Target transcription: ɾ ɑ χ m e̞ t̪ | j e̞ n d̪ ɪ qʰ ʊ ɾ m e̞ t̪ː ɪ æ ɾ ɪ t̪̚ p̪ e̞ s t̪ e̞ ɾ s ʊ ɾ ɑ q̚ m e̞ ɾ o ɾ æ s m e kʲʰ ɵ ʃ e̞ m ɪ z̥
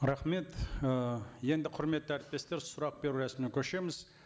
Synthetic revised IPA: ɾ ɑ χ m e̞ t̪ | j e̞ n d̪ ɪ qʰ ʊ ɾ m e̞ t̪ː ɪ æ ɾ ɪ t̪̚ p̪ e̞ s t̪ e̞ ɾ s ʊ ɾ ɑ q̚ b e̞ ɾ u ɾ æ s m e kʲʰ ɵ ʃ e̞ m ɪ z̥